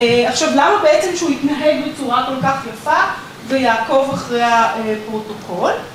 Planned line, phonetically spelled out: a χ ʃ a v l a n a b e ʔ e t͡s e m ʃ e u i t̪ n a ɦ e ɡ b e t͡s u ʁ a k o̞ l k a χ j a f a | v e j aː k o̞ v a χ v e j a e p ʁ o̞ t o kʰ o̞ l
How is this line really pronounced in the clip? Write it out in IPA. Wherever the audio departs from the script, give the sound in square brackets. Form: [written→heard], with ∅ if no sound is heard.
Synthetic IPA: a χ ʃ a v l a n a b e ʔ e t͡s e m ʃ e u i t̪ n a ɦ e ɡ b e t͡s u ʁ a k o̞ l k a χ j a f a | v e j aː k o̞ v a χ [v→ʁ] e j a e p ʁ o̞ t o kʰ o̞ l